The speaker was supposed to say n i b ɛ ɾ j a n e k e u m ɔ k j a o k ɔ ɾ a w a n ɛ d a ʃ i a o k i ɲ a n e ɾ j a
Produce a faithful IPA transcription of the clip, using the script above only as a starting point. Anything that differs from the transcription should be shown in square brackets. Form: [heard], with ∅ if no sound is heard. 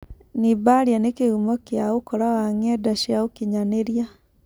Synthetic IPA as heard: n i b [a] ɾ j a n e k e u m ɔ k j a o k ɔ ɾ a w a [ŋ] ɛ d a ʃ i a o k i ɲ a n e ɾ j a